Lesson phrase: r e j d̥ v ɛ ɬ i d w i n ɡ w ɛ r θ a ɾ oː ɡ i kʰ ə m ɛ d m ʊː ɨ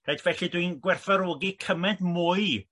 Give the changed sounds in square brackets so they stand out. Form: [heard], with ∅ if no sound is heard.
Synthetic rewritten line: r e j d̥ v ɛ ɬ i d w i n ɡ w ɛ r θ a ɾ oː ɡ i kʰ ə m ɛ d m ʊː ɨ